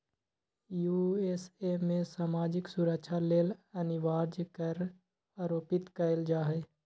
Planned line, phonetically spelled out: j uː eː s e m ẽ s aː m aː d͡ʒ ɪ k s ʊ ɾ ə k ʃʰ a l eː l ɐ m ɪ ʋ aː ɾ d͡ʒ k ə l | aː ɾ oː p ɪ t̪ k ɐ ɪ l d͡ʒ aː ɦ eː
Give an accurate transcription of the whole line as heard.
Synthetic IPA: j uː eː s e m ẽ s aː m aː d͡ʒ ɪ k s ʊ ɾ ə k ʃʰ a l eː l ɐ n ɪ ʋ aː ɾ d͡ʒ k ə ɾ | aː ɾ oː p ɪ t̪ k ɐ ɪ l d͡ʒ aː ɦ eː